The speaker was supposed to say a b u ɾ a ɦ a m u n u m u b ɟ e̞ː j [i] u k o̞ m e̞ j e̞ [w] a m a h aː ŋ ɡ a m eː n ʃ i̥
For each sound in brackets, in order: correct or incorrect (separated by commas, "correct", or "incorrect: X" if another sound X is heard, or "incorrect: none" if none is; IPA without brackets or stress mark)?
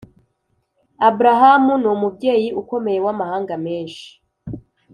correct, correct